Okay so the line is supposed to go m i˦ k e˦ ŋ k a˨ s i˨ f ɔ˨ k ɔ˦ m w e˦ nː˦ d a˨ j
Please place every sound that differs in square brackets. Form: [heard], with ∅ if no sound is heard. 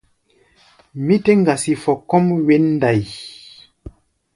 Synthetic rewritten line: m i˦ [t] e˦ ŋ [ɡ] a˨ s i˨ f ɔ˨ k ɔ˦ m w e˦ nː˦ d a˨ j